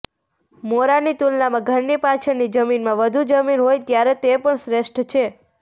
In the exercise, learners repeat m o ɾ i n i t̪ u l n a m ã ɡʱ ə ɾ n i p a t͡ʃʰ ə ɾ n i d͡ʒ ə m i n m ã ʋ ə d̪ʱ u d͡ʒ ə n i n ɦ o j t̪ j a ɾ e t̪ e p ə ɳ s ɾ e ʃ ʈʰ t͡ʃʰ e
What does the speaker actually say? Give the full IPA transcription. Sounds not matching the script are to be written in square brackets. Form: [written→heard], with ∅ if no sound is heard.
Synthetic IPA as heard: m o ɾ [i→a] n i t̪ u l n a m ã ɡʱ ə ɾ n i p a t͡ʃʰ ə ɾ n i d͡ʒ ə m i n m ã ʋ ə d̪ʱ u d͡ʒ ə [n→m] i n ɦ o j t̪ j a ɾ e t̪ e p ə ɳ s ɾ e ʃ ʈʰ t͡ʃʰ e